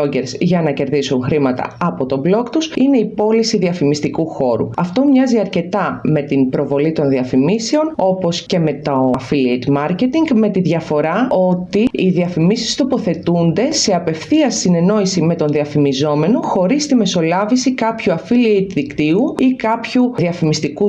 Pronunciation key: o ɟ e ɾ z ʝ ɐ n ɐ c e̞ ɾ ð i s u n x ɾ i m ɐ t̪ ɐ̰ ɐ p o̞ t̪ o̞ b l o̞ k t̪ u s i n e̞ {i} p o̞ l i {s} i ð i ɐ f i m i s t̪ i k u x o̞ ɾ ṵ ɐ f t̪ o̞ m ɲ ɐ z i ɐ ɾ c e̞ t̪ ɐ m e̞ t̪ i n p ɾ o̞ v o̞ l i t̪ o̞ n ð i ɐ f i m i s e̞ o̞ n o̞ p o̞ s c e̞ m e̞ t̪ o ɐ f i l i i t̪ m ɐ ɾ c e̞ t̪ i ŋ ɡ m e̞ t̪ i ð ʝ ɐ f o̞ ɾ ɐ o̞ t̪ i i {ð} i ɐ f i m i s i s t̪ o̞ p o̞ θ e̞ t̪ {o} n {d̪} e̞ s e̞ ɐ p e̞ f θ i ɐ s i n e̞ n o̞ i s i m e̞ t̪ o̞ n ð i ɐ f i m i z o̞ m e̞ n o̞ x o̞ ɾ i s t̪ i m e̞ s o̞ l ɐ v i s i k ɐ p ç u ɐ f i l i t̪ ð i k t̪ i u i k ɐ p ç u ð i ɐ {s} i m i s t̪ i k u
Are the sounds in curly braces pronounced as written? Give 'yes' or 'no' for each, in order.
yes, yes, yes, no, yes, no

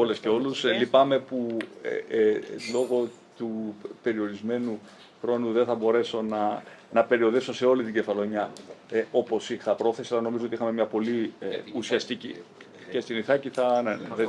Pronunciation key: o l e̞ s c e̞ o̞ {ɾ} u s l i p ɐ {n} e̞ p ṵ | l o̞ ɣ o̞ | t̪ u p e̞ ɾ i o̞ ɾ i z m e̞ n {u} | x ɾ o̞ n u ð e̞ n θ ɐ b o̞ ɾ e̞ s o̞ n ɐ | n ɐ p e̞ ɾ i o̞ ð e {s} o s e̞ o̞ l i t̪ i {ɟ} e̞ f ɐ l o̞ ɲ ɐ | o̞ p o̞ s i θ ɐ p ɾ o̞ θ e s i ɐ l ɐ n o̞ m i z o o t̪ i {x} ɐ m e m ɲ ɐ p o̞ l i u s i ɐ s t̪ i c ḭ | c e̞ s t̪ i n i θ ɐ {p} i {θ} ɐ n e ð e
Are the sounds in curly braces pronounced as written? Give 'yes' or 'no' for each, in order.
no, no, yes, yes, yes, yes, no, yes

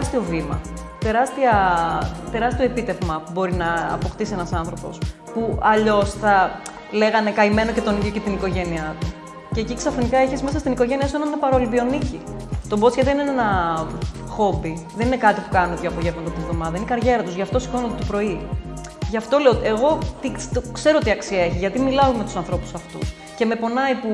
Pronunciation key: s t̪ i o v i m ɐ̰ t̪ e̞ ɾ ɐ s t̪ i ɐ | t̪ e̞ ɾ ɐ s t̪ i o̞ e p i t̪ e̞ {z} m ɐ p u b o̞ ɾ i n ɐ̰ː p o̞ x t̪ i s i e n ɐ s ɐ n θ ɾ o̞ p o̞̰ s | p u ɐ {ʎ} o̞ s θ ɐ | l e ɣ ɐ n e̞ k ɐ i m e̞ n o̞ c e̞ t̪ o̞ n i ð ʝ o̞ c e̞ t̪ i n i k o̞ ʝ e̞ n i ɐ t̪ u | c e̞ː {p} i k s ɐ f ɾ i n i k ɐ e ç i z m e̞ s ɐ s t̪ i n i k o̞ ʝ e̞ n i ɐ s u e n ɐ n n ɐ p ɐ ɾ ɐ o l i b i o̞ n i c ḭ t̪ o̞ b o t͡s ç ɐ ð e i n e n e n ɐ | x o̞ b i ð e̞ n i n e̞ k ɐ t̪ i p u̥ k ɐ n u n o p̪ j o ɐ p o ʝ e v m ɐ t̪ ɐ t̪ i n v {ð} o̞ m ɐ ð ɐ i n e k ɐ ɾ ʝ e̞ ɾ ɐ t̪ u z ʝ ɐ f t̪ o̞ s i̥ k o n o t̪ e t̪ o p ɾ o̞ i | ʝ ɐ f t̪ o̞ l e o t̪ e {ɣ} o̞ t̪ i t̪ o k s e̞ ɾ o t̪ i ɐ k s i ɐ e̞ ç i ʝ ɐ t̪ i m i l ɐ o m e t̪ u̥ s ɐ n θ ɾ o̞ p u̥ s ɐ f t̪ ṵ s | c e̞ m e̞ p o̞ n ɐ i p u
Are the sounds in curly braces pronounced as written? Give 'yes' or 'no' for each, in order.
no, yes, no, yes, yes

